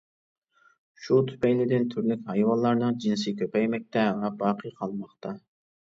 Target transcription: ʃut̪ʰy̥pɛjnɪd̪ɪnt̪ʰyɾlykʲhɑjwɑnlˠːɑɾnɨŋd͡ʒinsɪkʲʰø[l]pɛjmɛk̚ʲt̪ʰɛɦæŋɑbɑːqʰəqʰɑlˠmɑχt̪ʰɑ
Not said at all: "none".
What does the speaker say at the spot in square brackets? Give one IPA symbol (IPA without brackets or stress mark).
none